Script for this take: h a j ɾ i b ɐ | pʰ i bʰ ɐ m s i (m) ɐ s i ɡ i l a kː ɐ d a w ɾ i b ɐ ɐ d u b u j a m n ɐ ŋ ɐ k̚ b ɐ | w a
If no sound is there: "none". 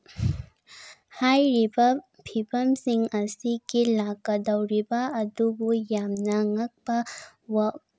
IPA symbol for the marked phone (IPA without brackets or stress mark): ŋ